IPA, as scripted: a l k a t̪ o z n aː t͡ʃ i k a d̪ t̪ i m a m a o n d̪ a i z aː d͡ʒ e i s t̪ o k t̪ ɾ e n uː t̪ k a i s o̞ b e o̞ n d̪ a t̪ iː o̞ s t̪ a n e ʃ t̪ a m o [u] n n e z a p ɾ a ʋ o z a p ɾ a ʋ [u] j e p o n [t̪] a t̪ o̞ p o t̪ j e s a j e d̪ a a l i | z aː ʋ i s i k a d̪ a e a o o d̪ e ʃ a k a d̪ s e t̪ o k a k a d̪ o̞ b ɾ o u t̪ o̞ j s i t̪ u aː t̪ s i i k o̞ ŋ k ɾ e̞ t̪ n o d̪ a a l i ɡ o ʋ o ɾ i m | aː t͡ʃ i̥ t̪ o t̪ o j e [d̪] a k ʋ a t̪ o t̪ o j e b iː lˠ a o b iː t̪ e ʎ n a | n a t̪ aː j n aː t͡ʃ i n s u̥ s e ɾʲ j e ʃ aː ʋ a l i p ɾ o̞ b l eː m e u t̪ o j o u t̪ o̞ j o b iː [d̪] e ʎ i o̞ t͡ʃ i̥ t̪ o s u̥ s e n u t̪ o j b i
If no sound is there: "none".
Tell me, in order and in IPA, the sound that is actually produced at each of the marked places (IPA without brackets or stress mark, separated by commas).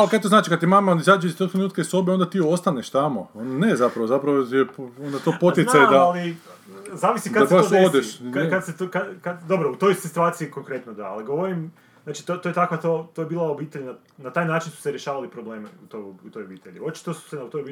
o, o, d̪, t̪, t̪